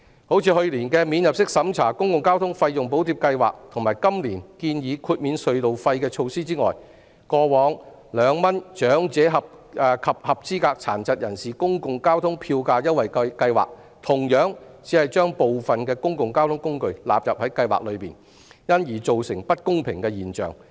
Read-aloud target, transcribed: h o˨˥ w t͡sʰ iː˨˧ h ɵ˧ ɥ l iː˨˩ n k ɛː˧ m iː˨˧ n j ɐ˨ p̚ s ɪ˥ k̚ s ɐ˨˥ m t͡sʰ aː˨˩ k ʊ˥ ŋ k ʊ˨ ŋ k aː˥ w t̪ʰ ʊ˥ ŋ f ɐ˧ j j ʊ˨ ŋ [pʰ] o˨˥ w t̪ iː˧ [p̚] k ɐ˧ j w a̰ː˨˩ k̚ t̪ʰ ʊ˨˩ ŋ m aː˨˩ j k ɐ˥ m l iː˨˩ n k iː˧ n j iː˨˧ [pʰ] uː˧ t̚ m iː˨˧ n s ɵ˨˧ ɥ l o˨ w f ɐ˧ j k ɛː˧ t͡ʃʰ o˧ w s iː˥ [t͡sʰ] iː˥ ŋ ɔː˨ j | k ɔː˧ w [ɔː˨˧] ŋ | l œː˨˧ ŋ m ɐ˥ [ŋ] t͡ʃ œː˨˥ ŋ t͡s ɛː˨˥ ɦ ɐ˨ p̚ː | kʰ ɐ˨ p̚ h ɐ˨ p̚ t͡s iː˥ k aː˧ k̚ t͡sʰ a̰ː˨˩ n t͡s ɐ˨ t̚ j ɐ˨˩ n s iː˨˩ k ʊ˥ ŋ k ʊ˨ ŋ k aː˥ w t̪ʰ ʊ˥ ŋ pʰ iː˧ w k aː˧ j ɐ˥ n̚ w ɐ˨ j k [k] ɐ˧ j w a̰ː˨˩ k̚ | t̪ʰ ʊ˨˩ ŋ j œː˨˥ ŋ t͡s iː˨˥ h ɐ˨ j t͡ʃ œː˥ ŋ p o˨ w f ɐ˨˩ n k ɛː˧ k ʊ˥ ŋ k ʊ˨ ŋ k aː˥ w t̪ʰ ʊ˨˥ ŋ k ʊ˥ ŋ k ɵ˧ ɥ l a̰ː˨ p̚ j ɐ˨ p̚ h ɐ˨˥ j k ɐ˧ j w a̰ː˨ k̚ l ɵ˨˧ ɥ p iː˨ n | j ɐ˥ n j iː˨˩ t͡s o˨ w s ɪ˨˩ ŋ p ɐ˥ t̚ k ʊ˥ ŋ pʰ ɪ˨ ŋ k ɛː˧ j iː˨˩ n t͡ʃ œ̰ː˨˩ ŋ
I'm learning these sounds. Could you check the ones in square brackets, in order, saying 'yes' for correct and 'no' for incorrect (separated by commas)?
no, yes, no, no, yes, no, yes